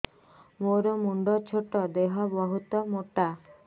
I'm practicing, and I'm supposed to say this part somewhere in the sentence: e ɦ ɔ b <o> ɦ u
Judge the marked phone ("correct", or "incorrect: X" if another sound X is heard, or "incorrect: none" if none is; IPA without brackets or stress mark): incorrect: ɔ